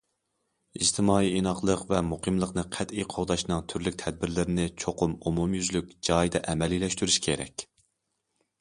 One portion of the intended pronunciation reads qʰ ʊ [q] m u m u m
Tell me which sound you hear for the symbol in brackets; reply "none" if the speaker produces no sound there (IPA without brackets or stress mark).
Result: none